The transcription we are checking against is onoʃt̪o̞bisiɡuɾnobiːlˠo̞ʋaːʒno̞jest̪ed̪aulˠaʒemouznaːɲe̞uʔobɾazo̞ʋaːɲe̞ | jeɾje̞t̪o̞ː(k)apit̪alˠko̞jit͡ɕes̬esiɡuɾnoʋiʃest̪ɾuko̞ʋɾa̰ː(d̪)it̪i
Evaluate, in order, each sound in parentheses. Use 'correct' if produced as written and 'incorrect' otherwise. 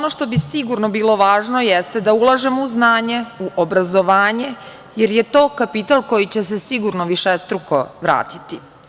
correct, incorrect: t̪

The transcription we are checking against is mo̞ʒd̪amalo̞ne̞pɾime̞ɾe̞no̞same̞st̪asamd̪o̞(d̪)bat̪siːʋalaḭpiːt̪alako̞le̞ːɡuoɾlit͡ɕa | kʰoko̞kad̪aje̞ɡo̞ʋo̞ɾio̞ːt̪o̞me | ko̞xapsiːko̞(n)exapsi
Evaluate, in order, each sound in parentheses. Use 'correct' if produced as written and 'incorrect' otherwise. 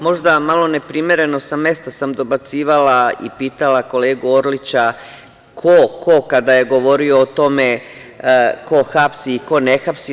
incorrect: none, correct

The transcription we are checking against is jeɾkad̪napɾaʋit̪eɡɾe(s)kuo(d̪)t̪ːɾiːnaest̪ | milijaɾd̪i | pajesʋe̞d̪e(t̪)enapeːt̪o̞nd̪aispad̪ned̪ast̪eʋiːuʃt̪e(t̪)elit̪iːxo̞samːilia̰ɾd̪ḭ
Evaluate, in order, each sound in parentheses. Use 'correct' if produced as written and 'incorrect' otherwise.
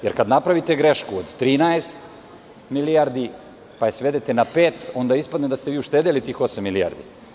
incorrect: ʃ, correct, correct, incorrect: d̪

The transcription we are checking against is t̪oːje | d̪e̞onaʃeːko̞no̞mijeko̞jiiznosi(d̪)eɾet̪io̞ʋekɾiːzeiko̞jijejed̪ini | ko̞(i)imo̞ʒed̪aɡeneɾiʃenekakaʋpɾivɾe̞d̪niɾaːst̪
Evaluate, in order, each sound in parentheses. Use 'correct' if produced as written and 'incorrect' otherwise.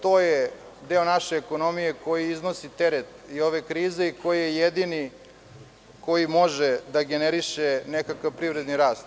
incorrect: t̪, incorrect: j

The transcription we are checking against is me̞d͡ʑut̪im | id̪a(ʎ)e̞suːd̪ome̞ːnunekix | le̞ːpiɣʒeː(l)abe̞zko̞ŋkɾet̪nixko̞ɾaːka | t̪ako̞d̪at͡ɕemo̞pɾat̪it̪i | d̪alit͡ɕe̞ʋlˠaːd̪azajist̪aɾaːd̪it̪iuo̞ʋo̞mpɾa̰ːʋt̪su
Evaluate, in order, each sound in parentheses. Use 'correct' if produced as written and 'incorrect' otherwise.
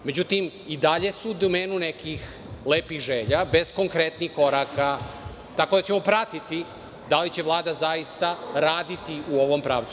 correct, incorrect: ʎ

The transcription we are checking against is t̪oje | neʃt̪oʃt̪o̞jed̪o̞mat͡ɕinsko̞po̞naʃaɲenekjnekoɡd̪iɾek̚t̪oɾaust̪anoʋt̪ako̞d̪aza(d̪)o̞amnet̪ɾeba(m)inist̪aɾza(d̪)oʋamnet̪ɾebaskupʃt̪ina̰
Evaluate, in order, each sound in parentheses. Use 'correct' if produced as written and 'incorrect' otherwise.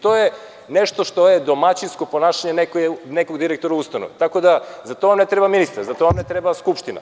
incorrect: t̪, correct, incorrect: t̪

